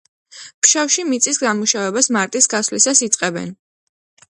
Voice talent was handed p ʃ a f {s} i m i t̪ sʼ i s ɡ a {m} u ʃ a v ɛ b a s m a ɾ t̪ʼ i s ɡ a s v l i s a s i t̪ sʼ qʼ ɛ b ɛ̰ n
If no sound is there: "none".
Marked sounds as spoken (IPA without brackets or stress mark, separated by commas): ʃ, m